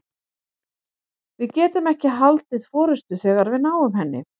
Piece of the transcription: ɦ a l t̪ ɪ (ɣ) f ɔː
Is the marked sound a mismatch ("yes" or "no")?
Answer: yes